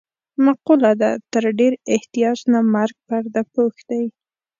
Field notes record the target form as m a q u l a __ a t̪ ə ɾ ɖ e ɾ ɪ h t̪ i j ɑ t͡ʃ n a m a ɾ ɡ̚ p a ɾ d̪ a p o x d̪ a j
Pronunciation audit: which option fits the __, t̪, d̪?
d̪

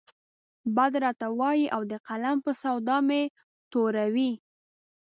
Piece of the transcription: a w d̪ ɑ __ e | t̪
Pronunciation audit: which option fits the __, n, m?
m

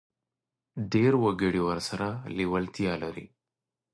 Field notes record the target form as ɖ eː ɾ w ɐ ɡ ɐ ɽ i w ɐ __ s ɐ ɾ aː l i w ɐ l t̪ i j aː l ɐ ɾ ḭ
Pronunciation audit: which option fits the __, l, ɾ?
ɾ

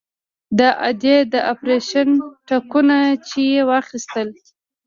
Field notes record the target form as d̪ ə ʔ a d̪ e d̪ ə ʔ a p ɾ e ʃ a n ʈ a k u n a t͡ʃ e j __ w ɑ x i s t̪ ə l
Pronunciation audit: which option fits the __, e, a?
e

